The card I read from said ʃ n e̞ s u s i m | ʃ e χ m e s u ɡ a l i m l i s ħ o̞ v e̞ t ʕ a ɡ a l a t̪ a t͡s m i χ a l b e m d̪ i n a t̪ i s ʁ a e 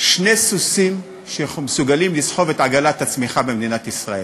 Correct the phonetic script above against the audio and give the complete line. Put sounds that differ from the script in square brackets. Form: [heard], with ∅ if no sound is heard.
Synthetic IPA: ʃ n e̞ s u s i m | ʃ e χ m e s u ɡ a l i m l i s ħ o̞ v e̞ t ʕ a ɡ a l a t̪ a t͡s m i χ a [∅] b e m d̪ i n a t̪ i s ʁ a e